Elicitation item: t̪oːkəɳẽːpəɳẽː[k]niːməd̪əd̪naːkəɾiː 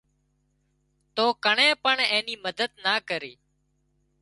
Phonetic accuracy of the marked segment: incorrect: none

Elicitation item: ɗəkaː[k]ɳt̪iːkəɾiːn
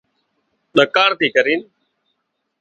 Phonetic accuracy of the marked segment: incorrect: none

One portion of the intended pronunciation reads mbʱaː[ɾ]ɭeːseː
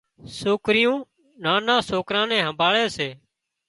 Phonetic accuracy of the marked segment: incorrect: none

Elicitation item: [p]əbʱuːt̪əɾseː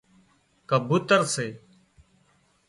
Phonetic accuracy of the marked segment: incorrect: k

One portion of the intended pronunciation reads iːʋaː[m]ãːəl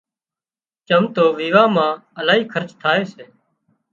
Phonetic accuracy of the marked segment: correct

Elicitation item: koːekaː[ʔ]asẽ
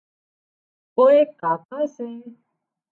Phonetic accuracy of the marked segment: incorrect: k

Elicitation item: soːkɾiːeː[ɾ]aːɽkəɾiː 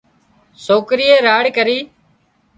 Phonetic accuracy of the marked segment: correct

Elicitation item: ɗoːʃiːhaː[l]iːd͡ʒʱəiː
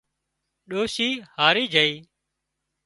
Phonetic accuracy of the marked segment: incorrect: ɾ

